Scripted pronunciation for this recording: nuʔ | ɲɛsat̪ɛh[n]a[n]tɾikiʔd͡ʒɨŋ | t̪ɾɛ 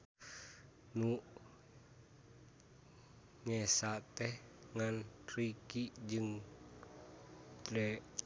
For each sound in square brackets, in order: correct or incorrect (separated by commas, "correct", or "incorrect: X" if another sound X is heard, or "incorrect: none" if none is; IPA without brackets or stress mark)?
incorrect: ŋ, correct